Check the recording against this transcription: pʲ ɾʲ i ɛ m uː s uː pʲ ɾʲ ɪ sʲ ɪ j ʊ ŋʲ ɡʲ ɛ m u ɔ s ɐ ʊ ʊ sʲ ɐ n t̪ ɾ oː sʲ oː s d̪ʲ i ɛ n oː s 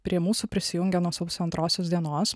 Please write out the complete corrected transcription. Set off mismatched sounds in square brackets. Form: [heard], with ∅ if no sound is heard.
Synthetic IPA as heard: pʲ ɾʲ i ɛ m uː s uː pʲ ɾʲ ɪ sʲ ɪ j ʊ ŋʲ ɡʲ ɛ [n] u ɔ s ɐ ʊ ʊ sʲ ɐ n t̪ ɾ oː sʲ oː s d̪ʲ i ɛ n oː s